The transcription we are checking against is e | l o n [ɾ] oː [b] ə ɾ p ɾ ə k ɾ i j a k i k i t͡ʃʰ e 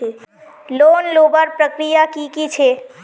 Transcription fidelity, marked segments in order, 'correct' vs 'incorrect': incorrect: l, correct

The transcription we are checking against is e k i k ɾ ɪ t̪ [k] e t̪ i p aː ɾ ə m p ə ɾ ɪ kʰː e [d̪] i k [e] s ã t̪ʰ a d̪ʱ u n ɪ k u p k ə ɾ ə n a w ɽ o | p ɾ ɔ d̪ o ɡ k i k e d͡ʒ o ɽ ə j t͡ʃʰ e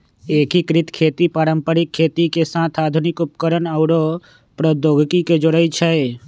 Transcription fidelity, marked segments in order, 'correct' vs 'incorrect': incorrect: kʰ, incorrect: t̪, correct

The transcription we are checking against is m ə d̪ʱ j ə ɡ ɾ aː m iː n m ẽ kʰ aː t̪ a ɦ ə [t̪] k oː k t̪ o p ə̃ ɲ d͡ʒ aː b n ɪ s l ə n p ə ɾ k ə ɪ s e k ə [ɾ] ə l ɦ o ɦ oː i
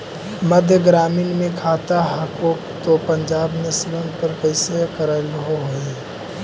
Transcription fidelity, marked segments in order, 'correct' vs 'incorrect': incorrect: none, correct

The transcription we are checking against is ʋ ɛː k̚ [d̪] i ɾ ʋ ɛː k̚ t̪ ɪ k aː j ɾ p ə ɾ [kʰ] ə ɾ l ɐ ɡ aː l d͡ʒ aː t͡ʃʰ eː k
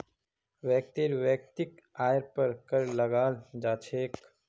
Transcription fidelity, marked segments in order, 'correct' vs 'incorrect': incorrect: t̪, incorrect: k

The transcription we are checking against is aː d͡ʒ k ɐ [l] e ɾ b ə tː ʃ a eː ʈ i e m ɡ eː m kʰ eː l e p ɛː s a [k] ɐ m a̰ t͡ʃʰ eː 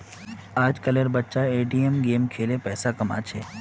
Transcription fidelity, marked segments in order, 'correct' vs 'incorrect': correct, correct

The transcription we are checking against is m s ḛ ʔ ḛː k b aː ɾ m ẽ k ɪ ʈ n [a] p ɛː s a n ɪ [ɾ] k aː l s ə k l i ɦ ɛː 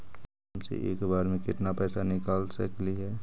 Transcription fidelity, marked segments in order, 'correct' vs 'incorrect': correct, incorrect: none

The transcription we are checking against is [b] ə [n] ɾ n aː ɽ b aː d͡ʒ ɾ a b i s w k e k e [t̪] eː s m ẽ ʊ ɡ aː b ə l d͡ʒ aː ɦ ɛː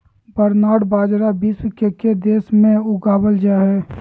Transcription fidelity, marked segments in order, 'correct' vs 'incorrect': correct, incorrect: none, incorrect: d̪

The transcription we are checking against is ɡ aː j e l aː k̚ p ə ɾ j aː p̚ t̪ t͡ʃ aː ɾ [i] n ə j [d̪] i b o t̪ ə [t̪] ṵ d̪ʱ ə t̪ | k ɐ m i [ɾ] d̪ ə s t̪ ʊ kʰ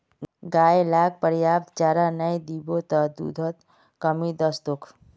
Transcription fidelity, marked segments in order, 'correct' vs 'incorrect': incorrect: a, correct, incorrect: d̪, incorrect: none

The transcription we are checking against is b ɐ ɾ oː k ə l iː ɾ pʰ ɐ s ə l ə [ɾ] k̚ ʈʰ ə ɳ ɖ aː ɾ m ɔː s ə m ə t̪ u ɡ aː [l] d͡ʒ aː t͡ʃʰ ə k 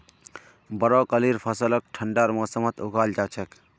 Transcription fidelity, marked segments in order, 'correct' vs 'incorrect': incorrect: none, correct

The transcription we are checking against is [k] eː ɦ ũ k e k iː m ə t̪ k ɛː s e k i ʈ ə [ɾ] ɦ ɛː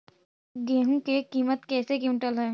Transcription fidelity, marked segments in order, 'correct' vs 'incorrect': incorrect: ɡ, incorrect: l

